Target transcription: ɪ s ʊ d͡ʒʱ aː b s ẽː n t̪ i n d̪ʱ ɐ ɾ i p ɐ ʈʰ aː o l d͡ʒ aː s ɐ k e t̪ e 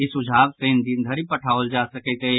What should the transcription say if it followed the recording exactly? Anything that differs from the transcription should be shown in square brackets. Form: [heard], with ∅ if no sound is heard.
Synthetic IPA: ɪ s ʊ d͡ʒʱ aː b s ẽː n [d̪] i n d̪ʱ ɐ ɾ i p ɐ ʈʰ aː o l d͡ʒ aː s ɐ k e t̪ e